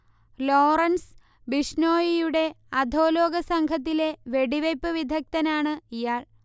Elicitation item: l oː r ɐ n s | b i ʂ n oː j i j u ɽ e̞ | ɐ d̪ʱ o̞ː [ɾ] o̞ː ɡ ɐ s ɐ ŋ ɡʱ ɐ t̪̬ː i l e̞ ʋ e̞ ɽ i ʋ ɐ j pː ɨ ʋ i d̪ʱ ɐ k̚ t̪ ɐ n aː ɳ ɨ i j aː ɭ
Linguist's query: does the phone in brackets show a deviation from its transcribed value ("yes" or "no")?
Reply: yes